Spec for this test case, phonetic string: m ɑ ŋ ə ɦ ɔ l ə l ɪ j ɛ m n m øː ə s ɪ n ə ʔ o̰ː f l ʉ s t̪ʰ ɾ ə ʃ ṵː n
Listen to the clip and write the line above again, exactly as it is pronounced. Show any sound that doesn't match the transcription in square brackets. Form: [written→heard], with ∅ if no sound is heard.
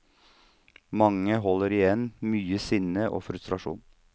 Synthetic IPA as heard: m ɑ ŋ ə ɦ ɔ l ə [l→ɾ] ɪ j ɛ [m→∅] n m [øː→yː] ə s ɪ n ə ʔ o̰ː f [l→ɾ] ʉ s [t̪ʰ→t̪] ɾ [ə→ɑ] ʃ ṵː n